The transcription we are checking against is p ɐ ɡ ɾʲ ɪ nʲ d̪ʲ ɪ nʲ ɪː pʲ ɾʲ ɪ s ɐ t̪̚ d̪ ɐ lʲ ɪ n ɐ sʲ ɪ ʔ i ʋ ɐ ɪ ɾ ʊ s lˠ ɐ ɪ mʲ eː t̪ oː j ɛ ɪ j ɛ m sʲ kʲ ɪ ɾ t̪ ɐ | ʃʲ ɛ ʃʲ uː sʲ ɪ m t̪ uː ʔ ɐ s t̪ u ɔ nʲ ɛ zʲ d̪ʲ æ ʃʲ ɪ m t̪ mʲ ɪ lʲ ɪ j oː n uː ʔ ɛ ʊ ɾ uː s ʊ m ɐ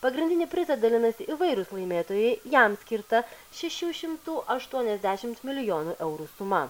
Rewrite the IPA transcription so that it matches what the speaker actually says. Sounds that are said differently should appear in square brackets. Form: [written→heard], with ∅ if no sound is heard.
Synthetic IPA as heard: p ɐ ɡ ɾʲ ɪ nʲ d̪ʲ ɪ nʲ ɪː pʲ ɾʲ ɪ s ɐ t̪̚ d̪ ɐ lʲ ɪ n ɐ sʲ ɪ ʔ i ʋ ɐ ɪ ɾ ʊ s lˠ ɐ ɪ mʲ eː t̪ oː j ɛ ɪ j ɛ m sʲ kʲ ɪ ɾ t̪ ɐ | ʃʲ ɛ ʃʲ uː [sʲ→ʃʲ] ɪ m t̪ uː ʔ ɐ [s→ʃ] t̪ u ɔ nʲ ɛ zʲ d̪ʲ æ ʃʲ ɪ m t̪ mʲ ɪ lʲ ɪ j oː n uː ʔ ɛ ʊ ɾ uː s ʊ m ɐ

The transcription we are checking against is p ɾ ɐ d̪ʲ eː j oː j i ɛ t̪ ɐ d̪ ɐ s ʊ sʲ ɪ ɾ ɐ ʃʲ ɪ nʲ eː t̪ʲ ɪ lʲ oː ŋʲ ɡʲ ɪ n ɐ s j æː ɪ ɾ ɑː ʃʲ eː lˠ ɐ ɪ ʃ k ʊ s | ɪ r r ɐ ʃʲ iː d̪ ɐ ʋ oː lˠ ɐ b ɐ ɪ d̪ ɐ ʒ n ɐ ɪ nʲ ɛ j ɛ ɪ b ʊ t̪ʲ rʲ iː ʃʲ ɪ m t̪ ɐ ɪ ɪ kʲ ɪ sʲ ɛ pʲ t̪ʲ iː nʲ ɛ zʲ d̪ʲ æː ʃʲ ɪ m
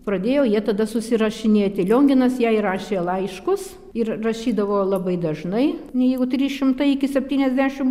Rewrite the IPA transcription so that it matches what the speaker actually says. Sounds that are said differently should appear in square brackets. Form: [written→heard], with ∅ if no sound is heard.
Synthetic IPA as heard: p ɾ ɐ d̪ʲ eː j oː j i ɛ t̪ ɐ d̪ ɐ s ʊ sʲ ɪ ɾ ɐ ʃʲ ɪ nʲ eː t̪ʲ ɪ lʲ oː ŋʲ ɡʲ ɪ n ɐ s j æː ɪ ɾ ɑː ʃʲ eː lˠ ɐ ɪ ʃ k ʊ s | ɪ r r ɐ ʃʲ iː d̪ ɐ ʋ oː lˠ ɐ b ɐ ɪ d̪ ɐ ʒ n ɐ ɪ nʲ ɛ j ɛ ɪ [b→ɡ] ʊ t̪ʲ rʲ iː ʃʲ ɪ m t̪ ɐ ɪ ɪ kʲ ɪ sʲ ɛ pʲ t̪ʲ iː nʲ ɛ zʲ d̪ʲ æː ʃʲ ɪ m

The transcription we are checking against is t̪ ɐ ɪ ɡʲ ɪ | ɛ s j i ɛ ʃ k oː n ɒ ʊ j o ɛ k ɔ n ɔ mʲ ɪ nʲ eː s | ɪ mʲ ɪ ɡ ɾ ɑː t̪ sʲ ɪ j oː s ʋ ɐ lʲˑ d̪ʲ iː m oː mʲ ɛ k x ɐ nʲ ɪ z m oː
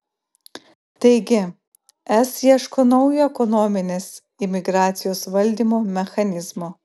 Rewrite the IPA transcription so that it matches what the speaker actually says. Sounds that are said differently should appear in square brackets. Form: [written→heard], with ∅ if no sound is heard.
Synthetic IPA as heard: t̪ ɐ ɪ ɡʲ ɪ | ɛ s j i ɛ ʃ k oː n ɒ ʊ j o ɛ k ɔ n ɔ mʲ ɪ nʲ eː s | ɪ mʲ ɪ ɡ ɾ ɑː t̪ sʲ ɪ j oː s ʋ ɐ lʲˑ d̪ʲ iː m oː mʲ ɛ [k→∅] x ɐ nʲ ɪ z m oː

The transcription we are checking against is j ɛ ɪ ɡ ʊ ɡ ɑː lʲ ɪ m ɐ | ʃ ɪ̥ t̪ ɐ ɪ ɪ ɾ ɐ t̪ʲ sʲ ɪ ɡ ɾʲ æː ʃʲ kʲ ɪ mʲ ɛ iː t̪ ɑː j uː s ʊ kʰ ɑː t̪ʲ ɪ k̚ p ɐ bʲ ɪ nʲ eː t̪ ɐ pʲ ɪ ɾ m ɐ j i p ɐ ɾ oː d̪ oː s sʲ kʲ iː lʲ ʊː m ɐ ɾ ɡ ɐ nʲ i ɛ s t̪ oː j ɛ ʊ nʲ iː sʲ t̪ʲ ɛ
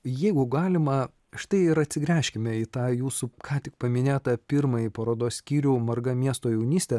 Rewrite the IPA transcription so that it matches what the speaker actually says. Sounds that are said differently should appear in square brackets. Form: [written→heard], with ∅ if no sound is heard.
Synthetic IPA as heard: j ɛ ɪ ɡ ʊ ɡ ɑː lʲ ɪ m ɐ | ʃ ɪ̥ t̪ ɐ ɪ ɪ ɾ ɐ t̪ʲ sʲ ɪ ɡ ɾʲ æː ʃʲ kʲ ɪ mʲ ɛ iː t̪ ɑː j uː s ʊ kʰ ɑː t̪ʲ ɪ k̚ p ɐ [bʲ→mʲ] ɪ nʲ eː t̪ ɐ pʲ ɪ ɾ m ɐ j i p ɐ ɾ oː d̪ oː s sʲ kʲ iː [lʲ→ɾʲ] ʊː m ɐ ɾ ɡ ɐ [nʲ→mʲ] i ɛ s t̪ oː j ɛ ʊ nʲ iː sʲ t̪ʲ ɛ

